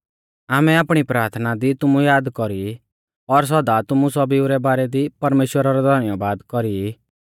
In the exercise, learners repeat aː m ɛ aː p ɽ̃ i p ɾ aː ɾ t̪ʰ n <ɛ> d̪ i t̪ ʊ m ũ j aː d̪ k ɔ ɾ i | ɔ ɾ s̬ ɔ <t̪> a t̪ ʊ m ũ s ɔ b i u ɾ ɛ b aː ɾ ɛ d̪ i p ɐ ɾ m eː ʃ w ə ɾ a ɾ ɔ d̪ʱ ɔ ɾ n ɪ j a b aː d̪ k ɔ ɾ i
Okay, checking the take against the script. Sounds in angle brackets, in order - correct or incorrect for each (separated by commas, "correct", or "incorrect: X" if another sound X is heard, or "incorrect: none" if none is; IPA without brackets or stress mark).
incorrect: a, incorrect: d̪